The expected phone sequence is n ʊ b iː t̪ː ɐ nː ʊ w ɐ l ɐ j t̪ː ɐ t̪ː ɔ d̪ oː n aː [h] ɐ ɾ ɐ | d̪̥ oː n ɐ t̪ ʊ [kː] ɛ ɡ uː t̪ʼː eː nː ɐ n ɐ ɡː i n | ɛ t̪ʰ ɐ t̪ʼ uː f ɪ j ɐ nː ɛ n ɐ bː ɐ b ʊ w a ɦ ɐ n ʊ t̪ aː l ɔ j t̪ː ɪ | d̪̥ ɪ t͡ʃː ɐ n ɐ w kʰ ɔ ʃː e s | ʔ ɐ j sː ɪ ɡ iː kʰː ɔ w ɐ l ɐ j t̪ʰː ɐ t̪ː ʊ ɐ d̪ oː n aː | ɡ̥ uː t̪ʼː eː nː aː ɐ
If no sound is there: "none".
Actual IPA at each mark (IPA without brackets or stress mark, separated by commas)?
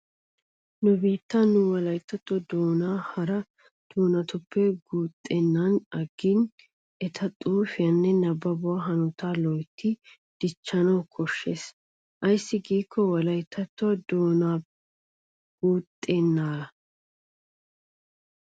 h, pː